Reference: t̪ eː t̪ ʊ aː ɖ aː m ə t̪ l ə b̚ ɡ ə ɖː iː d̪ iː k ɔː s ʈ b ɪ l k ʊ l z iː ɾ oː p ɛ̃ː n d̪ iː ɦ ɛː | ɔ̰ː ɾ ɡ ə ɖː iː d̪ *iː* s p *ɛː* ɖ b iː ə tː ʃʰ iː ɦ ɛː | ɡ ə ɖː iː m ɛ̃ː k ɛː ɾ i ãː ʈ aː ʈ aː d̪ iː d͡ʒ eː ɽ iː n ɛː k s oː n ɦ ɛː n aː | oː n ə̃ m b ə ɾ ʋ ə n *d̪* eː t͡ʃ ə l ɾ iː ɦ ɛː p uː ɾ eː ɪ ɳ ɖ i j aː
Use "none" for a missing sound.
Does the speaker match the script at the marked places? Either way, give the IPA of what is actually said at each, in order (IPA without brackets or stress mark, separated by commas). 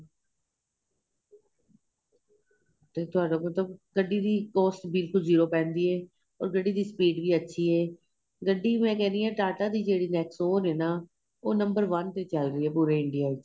iː, iː, t̪